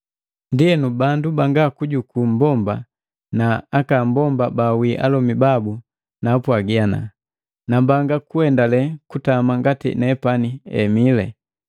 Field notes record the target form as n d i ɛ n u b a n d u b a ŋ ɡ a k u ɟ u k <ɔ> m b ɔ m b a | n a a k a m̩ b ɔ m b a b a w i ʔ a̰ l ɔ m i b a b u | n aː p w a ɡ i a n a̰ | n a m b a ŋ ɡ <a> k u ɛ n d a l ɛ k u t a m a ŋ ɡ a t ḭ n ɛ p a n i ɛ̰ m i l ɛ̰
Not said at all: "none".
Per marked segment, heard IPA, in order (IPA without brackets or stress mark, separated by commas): u, a